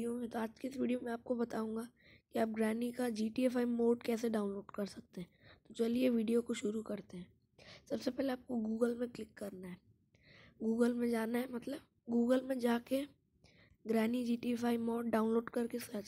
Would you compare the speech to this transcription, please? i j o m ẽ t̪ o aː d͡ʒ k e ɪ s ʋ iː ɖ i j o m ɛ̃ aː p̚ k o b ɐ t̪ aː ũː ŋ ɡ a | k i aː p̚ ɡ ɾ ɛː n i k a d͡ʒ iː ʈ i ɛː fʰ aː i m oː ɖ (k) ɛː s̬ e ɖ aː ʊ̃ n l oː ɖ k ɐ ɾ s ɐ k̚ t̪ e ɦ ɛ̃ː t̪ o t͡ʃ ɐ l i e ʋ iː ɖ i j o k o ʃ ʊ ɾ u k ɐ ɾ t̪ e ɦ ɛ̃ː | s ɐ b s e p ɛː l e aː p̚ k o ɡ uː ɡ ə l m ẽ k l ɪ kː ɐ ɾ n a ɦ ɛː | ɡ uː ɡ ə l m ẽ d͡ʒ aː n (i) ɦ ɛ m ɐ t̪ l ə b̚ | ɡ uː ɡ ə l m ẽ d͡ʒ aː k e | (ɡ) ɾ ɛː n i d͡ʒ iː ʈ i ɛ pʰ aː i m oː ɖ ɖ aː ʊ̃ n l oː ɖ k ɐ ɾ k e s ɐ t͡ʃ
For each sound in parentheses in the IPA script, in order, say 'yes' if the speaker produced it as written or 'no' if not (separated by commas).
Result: yes, no, yes